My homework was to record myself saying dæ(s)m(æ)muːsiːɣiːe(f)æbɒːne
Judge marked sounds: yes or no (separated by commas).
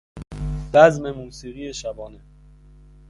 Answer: no, no, no